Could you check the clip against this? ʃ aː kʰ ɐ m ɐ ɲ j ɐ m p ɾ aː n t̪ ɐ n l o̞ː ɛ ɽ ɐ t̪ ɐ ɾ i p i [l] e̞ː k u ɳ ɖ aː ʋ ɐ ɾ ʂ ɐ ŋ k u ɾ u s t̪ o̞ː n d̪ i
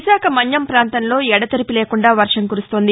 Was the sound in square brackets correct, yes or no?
yes